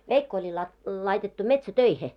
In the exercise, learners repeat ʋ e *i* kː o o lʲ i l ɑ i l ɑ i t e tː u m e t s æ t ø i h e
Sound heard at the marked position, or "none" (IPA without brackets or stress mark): i